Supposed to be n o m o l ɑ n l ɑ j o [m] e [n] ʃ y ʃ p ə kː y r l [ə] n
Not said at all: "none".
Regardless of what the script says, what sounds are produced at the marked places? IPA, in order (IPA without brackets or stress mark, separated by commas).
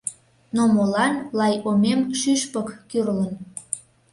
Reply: m, m, ə